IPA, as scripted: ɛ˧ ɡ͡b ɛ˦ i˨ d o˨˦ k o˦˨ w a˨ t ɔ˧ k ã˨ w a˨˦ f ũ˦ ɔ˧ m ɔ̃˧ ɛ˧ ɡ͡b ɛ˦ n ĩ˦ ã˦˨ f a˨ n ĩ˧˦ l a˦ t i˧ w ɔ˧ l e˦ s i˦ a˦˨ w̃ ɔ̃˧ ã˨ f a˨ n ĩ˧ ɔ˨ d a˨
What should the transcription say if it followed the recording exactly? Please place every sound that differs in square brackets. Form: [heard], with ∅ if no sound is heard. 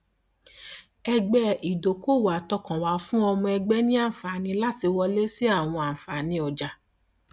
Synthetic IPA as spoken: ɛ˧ ɡ͡b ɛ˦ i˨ d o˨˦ k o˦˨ w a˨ t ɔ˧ k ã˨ w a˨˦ f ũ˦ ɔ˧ m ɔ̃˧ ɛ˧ ɡ͡b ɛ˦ n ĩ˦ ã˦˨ f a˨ n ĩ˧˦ l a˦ t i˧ w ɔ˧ l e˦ s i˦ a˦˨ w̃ ɔ̃˧ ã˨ f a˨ n ĩ˧ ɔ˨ [d͡ʒ] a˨